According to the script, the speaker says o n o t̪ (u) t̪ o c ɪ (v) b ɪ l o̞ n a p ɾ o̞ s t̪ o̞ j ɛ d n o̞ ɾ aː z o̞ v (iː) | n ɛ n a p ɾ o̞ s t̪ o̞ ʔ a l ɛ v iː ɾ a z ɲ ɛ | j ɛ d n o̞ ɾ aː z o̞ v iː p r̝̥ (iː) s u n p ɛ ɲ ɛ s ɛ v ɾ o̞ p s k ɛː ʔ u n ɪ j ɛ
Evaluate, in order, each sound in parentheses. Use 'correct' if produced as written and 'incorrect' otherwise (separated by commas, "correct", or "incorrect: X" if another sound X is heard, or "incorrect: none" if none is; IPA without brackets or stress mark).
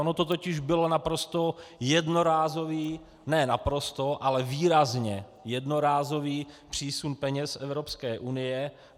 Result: incorrect: o, incorrect: ʒ, correct, correct